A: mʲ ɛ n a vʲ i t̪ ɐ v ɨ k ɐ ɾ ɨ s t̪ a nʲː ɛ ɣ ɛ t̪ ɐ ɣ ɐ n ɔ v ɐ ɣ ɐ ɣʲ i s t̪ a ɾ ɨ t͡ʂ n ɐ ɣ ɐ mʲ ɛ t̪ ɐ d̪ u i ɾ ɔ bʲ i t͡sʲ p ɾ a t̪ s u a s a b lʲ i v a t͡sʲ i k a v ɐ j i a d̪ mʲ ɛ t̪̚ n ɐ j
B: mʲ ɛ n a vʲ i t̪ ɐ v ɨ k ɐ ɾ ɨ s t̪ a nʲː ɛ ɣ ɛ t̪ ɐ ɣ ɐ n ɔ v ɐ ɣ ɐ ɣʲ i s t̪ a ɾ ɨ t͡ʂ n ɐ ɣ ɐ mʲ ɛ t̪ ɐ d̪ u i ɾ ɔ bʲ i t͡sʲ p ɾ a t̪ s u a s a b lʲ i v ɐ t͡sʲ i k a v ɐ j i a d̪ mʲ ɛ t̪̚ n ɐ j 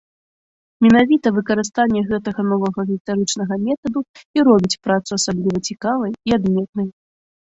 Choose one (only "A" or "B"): B